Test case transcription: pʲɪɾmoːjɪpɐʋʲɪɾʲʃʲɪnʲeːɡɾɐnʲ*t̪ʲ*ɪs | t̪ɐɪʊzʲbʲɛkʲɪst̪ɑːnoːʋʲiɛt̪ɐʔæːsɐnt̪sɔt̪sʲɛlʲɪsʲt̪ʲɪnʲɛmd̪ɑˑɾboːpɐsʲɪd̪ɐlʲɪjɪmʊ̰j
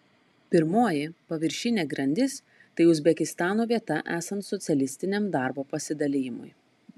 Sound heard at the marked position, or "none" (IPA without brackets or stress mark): d̪ʲ